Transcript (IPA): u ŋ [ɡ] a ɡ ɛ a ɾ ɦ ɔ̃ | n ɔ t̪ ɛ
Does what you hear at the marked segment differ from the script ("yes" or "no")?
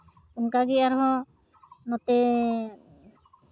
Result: yes